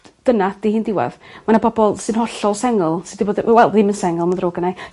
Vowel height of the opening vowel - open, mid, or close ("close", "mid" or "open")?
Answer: mid